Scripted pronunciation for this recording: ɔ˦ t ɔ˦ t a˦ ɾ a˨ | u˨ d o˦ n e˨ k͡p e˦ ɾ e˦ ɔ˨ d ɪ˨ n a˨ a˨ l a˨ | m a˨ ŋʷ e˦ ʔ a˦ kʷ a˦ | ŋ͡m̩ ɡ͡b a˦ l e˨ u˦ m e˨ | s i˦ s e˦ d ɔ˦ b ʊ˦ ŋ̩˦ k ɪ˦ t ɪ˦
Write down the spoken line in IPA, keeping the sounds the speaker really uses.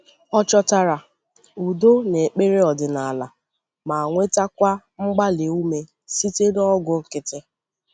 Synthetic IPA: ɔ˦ t͡ʃ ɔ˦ t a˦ ɾ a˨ | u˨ d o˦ n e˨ k͡p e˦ ɾ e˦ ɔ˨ d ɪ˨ n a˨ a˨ l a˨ | m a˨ ŋʷ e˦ t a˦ kʷ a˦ | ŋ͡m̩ ɡ͡b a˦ l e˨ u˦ m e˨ | s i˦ t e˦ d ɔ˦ ɡ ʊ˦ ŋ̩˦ k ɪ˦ t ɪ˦